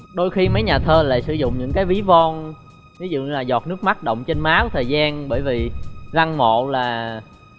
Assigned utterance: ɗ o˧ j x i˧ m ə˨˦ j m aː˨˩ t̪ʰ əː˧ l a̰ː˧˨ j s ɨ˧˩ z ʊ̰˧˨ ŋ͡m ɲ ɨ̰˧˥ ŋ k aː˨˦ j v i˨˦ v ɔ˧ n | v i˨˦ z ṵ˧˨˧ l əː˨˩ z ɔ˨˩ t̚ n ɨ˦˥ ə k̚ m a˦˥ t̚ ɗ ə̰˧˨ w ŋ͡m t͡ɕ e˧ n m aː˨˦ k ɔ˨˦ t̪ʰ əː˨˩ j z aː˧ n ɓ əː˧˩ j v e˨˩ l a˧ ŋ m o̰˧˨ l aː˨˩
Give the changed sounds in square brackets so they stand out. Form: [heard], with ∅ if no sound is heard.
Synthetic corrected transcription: ɗ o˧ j x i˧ m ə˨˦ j [ɲ] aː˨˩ t̪ʰ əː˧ l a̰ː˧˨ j s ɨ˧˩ z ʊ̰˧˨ ŋ͡m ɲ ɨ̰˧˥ ŋ k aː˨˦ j v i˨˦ v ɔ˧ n | v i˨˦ z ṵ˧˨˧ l [aː˨˩] z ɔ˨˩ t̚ n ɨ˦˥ ə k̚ m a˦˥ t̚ ɗ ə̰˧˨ w ŋ͡m t͡ɕ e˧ n m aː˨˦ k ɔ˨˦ t̪ʰ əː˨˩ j z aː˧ n ɓ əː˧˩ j v [i˨˩] l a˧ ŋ m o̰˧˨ l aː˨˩